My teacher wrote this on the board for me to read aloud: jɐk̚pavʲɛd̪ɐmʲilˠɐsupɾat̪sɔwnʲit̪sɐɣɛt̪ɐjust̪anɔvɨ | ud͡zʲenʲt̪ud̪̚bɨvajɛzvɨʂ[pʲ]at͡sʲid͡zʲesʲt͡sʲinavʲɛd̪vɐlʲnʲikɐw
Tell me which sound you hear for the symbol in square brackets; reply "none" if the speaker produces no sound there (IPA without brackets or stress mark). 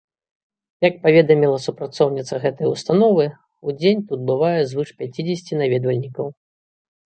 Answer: pʲ